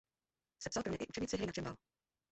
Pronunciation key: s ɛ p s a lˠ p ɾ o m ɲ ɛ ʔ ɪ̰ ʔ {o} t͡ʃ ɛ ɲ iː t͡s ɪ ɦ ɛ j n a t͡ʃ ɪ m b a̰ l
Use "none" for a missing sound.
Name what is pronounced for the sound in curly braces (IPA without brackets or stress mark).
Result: u